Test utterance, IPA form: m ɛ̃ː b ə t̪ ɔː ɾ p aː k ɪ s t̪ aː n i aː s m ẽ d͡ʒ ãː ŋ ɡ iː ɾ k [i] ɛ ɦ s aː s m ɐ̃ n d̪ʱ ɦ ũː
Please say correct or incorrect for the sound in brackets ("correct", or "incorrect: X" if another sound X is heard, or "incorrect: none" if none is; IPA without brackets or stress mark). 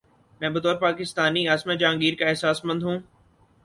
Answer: incorrect: a